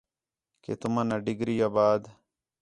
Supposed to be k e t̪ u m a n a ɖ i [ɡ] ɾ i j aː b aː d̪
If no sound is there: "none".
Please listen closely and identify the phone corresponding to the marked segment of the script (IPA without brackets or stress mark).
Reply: ɡ